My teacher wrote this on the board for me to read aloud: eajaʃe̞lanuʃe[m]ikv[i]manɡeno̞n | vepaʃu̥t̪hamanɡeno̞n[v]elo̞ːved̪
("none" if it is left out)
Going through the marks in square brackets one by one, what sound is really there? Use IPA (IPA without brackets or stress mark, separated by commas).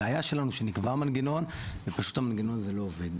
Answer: n, a, z